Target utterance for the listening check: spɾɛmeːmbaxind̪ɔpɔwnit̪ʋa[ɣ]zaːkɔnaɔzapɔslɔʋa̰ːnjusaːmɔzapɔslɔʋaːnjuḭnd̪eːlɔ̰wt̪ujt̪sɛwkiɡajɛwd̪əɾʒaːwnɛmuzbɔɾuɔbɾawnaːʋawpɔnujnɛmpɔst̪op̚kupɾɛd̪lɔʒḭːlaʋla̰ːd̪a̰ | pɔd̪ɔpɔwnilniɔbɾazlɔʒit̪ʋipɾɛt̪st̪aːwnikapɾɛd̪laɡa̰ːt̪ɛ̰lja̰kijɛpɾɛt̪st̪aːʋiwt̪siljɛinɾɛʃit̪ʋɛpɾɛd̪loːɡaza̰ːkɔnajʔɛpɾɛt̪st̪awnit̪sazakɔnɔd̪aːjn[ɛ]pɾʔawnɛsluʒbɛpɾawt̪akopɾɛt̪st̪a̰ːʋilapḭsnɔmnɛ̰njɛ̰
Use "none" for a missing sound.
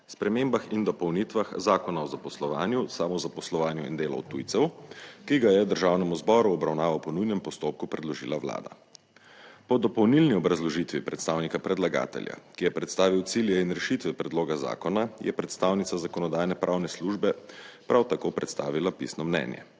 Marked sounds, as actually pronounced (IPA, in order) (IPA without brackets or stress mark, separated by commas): x, ɛ